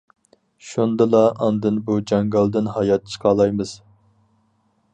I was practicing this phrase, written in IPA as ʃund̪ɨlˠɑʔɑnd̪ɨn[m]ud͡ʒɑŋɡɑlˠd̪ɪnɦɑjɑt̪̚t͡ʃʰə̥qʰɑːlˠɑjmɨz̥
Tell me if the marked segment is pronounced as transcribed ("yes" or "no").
no